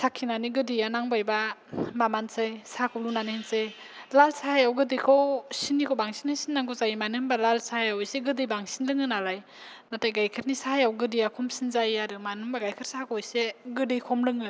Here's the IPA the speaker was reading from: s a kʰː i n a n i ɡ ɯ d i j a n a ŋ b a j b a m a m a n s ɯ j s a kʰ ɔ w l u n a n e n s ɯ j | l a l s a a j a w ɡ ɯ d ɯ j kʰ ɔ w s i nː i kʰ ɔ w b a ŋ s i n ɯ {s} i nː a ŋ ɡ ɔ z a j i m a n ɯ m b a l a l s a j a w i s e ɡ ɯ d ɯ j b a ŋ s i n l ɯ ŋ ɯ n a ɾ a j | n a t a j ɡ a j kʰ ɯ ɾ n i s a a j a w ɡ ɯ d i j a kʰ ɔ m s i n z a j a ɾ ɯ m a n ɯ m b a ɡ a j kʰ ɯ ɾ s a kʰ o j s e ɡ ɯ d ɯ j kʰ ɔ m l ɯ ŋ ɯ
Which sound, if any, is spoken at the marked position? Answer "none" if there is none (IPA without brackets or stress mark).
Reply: s